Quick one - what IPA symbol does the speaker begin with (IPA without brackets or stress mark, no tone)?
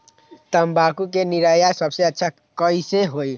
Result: t̪